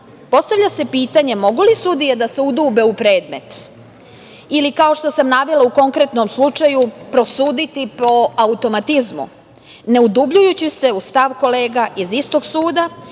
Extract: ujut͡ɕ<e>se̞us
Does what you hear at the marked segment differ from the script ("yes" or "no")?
yes